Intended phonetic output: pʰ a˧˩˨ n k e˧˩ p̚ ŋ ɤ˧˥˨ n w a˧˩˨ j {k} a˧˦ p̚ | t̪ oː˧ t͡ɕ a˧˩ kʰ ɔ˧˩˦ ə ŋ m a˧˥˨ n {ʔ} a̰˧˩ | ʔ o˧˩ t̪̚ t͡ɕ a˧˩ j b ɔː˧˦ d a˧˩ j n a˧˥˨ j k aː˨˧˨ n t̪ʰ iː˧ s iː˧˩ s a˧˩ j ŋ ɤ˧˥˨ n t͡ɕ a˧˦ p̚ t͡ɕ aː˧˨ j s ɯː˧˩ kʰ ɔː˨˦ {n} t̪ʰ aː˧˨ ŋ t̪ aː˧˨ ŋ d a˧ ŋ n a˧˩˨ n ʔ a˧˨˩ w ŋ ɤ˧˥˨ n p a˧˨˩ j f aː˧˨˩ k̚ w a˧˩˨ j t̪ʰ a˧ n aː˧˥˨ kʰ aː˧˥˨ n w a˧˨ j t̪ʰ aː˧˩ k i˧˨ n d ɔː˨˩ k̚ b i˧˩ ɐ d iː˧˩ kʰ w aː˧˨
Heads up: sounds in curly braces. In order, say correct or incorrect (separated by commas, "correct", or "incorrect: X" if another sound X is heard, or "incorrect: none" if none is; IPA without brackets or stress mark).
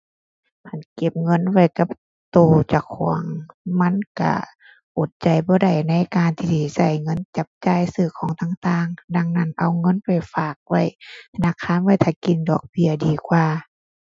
correct, incorrect: k, incorrect: ŋ